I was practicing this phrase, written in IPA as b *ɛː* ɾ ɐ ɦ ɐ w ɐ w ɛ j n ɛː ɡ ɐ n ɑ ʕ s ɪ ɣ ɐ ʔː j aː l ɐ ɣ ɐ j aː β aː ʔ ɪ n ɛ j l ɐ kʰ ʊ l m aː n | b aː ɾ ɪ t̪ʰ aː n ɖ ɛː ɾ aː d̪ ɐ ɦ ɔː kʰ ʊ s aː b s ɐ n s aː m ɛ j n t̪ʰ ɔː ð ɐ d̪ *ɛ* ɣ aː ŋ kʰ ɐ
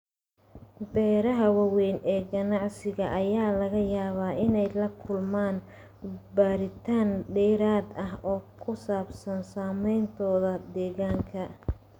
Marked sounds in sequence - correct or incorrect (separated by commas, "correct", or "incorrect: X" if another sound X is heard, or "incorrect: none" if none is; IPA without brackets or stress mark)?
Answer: correct, incorrect: ɛː